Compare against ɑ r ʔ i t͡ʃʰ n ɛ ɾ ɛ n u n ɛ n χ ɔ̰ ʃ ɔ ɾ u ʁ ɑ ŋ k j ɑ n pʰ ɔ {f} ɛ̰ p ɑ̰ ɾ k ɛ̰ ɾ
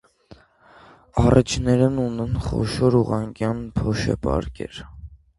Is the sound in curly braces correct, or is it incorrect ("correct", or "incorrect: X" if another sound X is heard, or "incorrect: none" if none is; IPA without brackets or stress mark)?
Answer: incorrect: ʃ